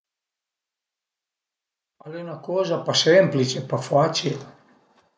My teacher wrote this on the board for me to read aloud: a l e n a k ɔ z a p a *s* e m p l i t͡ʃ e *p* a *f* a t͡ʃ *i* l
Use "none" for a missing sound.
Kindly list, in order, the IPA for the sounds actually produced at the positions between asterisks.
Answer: s, p, f, i

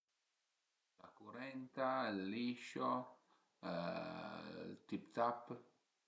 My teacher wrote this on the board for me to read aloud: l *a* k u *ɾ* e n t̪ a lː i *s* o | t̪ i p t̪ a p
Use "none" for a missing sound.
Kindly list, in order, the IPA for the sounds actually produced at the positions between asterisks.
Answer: a, ɾ, ʃ

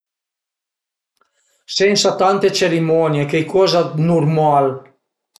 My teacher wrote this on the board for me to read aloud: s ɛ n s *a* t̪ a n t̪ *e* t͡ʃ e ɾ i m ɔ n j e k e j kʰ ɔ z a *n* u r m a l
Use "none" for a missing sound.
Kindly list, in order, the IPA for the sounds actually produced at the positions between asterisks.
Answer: a, e, n

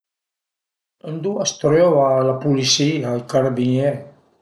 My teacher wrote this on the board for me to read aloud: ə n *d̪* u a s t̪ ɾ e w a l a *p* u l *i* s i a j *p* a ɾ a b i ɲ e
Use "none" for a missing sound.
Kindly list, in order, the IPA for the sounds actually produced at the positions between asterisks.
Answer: d̪, p, i, k

